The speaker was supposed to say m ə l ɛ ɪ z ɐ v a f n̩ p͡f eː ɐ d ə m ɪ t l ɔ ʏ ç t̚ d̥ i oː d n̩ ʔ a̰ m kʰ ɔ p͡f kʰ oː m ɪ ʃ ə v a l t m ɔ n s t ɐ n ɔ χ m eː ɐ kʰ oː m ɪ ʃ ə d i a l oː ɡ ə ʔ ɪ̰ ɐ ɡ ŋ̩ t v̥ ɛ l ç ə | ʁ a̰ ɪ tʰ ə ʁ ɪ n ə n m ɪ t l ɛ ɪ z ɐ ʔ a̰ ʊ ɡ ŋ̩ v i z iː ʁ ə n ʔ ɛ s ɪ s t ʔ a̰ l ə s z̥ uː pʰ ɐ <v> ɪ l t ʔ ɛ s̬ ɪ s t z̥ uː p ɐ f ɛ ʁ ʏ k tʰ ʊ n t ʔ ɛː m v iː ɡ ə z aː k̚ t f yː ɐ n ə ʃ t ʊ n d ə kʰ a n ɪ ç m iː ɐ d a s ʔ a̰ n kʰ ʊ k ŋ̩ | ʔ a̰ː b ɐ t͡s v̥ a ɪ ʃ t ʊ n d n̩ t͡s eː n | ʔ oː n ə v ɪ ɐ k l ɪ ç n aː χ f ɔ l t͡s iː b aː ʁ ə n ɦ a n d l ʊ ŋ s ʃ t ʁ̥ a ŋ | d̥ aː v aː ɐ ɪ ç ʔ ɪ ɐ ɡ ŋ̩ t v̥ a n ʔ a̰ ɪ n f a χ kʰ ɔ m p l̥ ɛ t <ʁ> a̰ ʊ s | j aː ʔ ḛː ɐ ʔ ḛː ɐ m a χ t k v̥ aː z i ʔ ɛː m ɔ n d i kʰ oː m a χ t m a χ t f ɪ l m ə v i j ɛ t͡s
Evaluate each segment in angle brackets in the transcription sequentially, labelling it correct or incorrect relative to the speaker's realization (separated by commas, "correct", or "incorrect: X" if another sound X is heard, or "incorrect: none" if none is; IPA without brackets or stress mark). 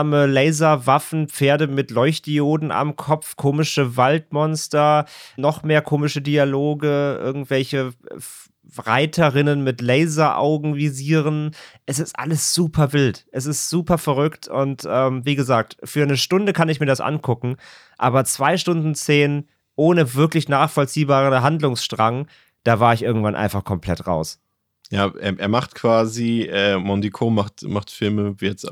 correct, correct